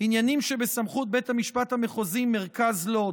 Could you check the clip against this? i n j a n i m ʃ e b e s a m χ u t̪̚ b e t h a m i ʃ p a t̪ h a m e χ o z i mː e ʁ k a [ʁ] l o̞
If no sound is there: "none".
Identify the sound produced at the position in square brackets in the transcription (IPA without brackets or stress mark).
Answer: z